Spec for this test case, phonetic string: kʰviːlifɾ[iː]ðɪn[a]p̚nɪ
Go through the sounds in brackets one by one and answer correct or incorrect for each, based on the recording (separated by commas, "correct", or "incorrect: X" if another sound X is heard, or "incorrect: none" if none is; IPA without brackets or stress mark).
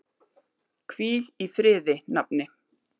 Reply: incorrect: ɪː, correct